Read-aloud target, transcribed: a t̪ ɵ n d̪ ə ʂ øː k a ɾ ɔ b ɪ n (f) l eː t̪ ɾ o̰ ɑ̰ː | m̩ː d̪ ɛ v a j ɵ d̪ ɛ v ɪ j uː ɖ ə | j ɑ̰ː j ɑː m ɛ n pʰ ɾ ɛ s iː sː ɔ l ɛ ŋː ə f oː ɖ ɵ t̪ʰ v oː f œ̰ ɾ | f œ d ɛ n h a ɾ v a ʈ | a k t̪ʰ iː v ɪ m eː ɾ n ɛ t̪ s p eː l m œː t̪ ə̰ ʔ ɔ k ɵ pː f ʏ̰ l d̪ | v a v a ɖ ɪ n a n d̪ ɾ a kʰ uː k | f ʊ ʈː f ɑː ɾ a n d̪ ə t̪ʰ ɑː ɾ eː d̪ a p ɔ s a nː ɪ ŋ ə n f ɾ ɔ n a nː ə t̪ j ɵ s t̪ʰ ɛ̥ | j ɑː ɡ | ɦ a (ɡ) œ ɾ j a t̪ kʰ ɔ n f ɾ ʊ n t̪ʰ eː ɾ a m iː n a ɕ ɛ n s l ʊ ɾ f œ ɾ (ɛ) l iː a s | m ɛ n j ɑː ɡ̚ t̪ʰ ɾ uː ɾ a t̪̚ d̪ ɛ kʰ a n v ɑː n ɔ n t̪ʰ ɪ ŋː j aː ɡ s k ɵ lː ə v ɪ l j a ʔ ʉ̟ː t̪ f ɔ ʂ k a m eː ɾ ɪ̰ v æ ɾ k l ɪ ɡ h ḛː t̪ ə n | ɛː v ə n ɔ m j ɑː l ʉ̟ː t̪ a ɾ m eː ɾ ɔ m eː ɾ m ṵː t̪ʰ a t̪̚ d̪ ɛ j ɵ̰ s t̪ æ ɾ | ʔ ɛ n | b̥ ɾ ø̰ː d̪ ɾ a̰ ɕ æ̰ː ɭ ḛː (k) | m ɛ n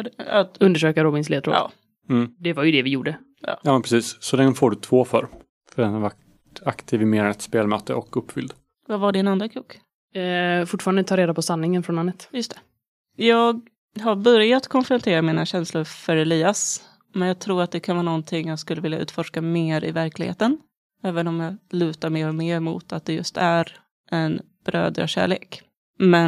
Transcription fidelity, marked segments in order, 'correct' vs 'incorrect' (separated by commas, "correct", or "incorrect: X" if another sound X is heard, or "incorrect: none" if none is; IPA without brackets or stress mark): incorrect: s, incorrect: b, correct, correct